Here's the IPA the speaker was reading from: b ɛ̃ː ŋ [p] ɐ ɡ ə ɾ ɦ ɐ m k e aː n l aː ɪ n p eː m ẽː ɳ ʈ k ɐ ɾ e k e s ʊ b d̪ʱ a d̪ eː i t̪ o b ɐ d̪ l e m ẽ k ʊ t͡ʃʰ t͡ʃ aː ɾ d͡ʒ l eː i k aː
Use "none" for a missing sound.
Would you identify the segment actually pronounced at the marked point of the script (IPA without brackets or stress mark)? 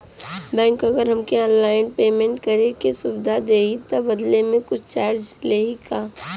k